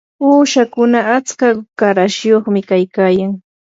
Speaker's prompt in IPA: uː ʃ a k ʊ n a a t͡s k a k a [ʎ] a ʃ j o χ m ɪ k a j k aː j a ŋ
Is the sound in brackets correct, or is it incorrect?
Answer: incorrect